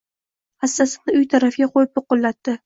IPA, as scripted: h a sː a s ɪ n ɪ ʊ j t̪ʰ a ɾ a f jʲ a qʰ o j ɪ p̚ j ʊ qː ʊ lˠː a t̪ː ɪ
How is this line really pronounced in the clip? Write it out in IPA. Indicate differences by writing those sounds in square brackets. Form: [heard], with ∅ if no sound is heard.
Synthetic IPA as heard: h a sː a s ɪ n ɪ ʊ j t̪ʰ a ɾ a f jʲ a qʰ o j ɪ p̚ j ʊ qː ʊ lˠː a t̪ː ɪ